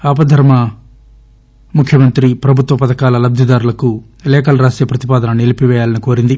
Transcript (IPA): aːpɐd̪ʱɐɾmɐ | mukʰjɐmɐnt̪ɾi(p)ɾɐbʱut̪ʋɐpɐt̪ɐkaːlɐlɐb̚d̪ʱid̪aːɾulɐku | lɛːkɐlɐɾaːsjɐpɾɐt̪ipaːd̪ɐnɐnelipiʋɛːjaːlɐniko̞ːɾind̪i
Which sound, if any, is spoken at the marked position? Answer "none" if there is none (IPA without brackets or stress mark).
p